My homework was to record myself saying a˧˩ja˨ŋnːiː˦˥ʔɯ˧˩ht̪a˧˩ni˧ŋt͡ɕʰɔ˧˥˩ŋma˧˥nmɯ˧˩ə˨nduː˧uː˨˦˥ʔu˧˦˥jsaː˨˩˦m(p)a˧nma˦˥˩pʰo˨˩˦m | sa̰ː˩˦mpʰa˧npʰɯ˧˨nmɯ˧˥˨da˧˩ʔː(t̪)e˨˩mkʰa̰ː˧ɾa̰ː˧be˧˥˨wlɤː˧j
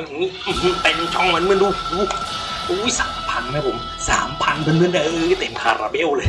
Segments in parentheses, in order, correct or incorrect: incorrect: pʰ, correct

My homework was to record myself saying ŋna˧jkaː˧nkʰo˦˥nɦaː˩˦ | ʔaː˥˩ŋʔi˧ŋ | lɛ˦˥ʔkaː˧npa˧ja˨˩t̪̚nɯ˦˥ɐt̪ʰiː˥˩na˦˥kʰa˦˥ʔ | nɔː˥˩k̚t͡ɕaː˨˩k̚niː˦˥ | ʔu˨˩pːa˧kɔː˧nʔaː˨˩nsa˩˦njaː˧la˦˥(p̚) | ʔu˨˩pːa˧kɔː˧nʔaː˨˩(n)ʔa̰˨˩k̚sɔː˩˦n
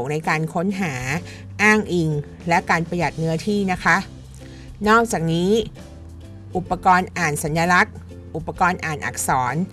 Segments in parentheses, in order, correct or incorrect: incorrect: k̚, correct

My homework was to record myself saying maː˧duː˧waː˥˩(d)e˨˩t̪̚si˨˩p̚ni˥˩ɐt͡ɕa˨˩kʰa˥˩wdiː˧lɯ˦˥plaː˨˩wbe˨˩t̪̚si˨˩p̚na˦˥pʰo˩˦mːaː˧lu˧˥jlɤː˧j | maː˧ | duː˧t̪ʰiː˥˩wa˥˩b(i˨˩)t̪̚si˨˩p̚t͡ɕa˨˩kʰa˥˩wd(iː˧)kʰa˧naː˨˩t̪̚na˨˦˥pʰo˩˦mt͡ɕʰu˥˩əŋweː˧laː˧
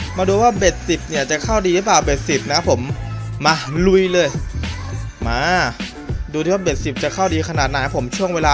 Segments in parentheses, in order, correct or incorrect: incorrect: b, incorrect: e˨˩, correct

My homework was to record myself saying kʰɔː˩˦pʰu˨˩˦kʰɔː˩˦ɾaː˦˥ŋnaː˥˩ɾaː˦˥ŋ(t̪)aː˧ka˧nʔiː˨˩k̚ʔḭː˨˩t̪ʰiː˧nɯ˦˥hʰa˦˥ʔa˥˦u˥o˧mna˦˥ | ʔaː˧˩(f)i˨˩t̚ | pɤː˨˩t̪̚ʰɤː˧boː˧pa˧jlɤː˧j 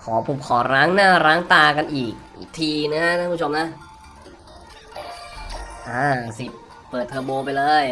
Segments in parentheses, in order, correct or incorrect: correct, incorrect: s

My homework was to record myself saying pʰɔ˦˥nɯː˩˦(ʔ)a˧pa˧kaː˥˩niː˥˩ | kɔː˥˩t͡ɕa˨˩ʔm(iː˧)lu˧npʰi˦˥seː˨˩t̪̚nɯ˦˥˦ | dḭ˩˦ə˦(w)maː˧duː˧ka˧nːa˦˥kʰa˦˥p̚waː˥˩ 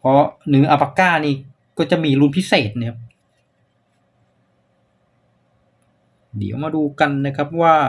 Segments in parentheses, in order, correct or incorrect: correct, correct, correct

